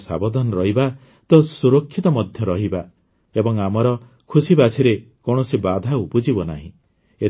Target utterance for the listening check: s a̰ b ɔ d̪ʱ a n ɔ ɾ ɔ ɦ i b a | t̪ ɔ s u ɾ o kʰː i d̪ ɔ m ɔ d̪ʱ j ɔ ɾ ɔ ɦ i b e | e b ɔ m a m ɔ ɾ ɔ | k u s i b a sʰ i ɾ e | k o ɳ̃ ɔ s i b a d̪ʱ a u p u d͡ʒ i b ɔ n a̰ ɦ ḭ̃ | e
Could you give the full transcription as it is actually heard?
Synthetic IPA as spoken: s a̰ b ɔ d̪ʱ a n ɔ ɾ ɔ ɦ i b a | t̪ ɔ s u ɾ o kʰː i t̪ ɔ m ɔ d̪ʱ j ɔ ɾ ɔ ɦ i b a | e b ɔ ŋ a m ɔ ɾ ɔ | kʰ u s i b a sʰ i ɾ e | k o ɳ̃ ɔ s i b a d̪ʱ a u p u d͡ʒ i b ɔ n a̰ ɦ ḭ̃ | e

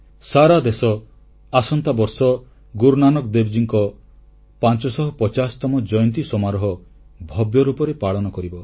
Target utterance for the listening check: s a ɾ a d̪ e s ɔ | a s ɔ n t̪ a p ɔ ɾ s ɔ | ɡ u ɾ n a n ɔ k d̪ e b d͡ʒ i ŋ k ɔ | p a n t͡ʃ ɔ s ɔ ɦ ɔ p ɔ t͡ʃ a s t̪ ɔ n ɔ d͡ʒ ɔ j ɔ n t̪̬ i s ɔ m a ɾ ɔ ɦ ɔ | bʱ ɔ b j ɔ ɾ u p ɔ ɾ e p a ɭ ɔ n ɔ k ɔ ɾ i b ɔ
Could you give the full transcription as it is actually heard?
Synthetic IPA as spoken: s a ɾ a d̪ e s ɔ | a s ɔ n t̪ a b ɔ ɾ s ɔ | ɡ u ɾ n a n ɔ k d̪ e b d͡ʒ i ŋ k ɔ | p a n t͡ʃ ɔ s ɔ ɦ ɔ p ɔ t͡ʃ a s t̪ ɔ m ɔ d͡ʒ ɔ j ɔ n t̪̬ i s ɔ m a ɾ ɔ ɦ ɔ | bʱ ɔ b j ɔ ɾ u p ɔ ɾ e p a ɭ ɔ n ɔ k ɔ ɾ i b ɔ

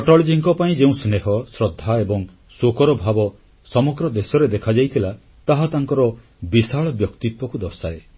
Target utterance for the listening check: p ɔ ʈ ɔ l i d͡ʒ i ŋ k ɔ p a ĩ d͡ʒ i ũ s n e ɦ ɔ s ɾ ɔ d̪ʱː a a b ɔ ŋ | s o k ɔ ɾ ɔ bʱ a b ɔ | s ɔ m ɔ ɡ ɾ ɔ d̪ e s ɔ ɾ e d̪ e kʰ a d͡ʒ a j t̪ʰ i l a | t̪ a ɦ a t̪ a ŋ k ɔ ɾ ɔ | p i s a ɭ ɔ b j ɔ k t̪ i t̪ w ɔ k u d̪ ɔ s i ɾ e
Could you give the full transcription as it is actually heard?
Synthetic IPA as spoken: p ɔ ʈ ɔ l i d͡ʒ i ŋ k ɔ p a ĩ d͡ʒ e ũ s n e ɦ ɔ s ɾ ɔ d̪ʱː a e b ɔ ŋ | s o k ɔ ɾ ɔ bʱ a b ɔ | s ɔ m ɔ ɡ ɾ ɔ d̪ e s ɔ ɾ e d̪ e kʰ a d͡ʒ a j t̪ʰ i l a | t̪ a ɦ a t̪ a ŋ k ɔ ɾ ɔ | b i s a ɭ ɔ b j ɔ k t̪ i t̪ w ɔ k u d̪ ɔ s a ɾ e

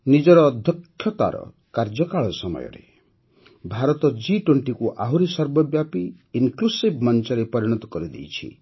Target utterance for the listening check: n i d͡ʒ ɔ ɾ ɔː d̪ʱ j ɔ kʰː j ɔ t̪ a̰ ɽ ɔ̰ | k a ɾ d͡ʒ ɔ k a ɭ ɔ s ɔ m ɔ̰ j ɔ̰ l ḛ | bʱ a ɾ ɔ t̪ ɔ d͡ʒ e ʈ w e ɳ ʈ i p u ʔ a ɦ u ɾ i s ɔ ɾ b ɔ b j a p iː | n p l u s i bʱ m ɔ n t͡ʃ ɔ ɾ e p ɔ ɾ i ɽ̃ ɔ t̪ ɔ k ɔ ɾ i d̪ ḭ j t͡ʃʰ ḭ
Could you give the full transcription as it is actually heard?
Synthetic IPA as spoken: n i d͡ʒ ɔ ɾ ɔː d̪ʱ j ɔ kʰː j ɔ t̪ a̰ ɾ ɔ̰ | k a ɾ d͡ʒ ɔ k a ɭ ɔ s ɔ m ɔ̰ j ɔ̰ ɾ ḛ | bʱ a ɾ ɔ t̪ ɔ d͡ʒ i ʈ w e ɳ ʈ i k u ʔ a ɦ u ɾ i s ɔ ɾ b ɔ b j a p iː | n k l u s i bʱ m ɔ n t͡ʃ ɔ ɾ e p ɔ ɾ i ɽ̃ ɔ t̪ ɔ k ɔ ɾ i d̪ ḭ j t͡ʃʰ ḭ

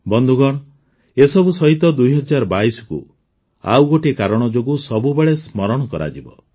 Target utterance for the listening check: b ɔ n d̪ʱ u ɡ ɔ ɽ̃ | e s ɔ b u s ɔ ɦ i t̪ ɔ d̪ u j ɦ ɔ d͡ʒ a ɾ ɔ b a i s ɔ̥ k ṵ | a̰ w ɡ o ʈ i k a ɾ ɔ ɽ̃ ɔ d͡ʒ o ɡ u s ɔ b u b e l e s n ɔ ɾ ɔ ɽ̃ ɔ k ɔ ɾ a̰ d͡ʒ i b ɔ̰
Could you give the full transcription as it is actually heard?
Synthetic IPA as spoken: b ɔ n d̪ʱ u ɡ ɔ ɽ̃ | e s ɔ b u s ɔ ɦ i t̪ ɔ d̪ u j ɦ ɔ d͡ʒ a ɾ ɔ b a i s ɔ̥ k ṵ | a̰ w ɡ o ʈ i k a ɾ ɔ ɽ̃ ɔ d͡ʒ o ɡ u s ɔ b u b e ɭ e s m ɔ ɾ ɔ ɽ̃ ɔ k ɔ ɾ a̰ d͡ʒ i b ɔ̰

